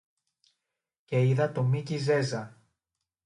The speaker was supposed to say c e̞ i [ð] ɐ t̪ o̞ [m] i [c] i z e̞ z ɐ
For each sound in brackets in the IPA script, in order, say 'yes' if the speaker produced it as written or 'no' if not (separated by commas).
yes, yes, yes